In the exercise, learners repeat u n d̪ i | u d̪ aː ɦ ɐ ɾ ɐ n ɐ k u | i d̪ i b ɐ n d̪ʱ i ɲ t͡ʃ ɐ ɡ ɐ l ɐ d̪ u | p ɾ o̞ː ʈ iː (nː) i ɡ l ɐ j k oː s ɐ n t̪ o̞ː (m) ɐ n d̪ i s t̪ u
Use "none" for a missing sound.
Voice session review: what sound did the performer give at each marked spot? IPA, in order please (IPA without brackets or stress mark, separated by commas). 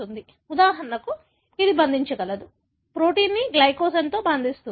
nː, b